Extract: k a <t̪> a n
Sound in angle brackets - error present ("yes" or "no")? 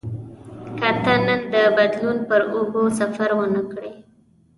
no